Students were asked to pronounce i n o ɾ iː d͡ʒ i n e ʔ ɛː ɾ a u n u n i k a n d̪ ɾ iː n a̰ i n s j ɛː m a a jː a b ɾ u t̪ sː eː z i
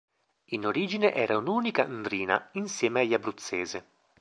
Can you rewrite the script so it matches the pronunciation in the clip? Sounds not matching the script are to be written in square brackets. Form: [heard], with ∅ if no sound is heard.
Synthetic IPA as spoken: i n o ɾ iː d͡ʒ i n e ʔ ɛː ɾ a u n [uː] n i k a n d̪ ɾ iː n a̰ i n s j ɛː m [e] a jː a b ɾ u t̪ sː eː z [e]